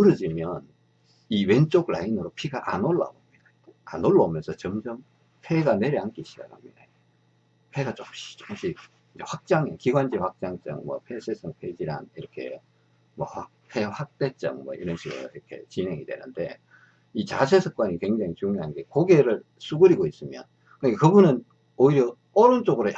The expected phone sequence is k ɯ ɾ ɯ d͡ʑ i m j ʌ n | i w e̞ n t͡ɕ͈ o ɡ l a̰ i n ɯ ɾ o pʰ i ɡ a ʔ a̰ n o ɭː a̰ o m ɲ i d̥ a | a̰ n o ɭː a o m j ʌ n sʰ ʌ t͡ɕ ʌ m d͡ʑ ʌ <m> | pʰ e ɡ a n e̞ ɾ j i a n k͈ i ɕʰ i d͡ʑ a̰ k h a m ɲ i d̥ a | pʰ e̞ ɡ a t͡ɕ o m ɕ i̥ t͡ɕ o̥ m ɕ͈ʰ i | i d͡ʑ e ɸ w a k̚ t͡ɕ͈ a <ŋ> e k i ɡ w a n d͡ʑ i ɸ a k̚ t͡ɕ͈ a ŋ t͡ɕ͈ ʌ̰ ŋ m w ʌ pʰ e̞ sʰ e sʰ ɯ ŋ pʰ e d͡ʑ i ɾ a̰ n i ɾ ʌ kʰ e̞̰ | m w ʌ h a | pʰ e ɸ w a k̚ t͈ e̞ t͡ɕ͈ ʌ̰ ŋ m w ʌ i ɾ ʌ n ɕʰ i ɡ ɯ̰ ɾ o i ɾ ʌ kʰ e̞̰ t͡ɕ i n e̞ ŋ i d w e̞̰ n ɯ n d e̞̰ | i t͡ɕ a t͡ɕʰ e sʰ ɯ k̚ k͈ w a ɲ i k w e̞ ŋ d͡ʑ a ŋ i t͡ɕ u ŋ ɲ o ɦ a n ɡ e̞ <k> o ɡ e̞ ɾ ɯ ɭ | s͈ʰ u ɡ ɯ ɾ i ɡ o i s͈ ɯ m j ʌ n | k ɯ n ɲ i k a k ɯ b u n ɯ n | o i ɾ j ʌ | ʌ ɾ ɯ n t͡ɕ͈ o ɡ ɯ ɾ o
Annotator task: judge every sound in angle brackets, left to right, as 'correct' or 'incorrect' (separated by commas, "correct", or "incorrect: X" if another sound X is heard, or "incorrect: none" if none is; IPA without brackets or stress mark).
correct, correct, correct